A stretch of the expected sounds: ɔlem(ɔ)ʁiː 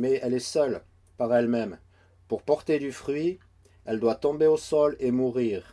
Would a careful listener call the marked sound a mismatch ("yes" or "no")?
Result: yes